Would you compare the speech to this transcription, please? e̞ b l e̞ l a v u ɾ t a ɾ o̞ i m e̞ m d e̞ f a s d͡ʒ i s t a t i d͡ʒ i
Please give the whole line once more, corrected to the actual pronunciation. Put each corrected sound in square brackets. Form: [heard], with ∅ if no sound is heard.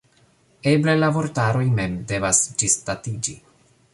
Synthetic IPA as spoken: e̞ b l e̞ l a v [o] ɾ t a ɾ o̞ [j] m e̞ m d e̞ [v] a s d͡ʒ i s t a t i d͡ʒ i